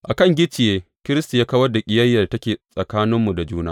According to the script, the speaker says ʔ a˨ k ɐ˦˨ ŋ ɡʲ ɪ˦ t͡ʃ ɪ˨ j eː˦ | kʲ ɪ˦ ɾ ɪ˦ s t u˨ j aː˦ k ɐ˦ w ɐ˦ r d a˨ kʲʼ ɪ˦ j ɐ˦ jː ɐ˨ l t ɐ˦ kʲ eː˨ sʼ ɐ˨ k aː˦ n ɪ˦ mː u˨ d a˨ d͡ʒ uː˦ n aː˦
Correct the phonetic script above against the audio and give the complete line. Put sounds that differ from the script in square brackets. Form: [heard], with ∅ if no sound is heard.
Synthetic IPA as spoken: ʔ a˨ k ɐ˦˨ ŋ ɡʲ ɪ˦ t͡ʃ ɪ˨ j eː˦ | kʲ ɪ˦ ɾ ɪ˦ s t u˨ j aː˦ k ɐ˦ w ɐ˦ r d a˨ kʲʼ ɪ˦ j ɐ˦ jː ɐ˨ [r] t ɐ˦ kʲ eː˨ sʼ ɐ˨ k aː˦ n ɪ˦ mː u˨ d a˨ d͡ʒ uː˦ n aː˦